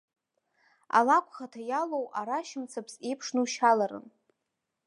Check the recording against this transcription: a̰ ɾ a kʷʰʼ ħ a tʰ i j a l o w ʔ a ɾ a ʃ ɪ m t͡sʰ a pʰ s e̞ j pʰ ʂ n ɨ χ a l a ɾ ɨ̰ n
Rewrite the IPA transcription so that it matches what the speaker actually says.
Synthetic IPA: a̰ l a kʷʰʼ χ a tʰ a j a l o w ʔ a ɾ a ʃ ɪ m t͡sʰ a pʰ s e̞ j pʰ ʂ n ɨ ʃ a l a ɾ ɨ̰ n